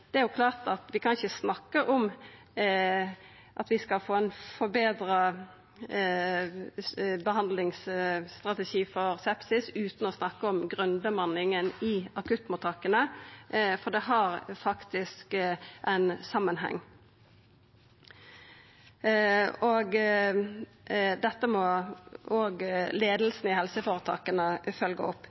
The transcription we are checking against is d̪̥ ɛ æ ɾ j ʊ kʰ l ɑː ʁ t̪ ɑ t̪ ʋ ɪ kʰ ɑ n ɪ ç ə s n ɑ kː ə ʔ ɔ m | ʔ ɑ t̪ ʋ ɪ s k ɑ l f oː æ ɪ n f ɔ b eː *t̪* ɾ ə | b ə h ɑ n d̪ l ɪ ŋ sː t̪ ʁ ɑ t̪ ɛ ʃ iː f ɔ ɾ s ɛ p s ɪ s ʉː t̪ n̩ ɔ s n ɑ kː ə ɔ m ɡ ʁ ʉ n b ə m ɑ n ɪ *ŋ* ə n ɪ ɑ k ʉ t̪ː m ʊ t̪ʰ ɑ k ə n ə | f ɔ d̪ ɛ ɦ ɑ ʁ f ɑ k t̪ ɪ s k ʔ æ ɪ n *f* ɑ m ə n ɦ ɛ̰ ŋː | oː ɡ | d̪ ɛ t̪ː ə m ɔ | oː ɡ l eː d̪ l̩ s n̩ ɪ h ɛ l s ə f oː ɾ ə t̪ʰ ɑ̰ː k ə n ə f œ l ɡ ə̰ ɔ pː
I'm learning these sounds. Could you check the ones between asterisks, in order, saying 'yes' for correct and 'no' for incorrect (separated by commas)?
no, yes, no